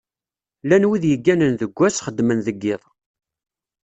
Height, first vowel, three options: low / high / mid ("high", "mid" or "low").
low